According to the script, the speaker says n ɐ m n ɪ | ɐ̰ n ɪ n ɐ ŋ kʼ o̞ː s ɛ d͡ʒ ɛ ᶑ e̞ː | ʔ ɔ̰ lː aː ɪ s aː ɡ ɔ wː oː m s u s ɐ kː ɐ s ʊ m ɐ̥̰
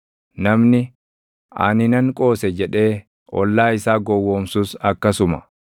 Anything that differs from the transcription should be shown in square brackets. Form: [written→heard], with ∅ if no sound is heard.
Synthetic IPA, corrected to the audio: n ɐ m n ɪ | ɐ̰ n ɪ n ɐ ŋ kʼ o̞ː s ɛ d͡ʒ ɛ ᶑ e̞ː | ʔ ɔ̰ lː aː ɪ s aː ɡ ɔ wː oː m s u s ɐ kː ɐ s ʊ m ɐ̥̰

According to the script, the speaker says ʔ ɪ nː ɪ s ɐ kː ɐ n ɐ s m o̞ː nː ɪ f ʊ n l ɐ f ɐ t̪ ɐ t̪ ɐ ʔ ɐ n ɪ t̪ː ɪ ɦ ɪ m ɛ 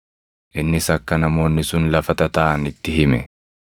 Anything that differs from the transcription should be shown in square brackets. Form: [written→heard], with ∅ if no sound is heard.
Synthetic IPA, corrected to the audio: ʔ ɪ nː ɪ s ɐ kː ɐ n ɐ [s→∅] m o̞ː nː ɪ [f→s] ʊ n l ɐ f ɐ t̪ ɐ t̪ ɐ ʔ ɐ n ɪ t̪ː ɪ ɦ ɪ m ɛ

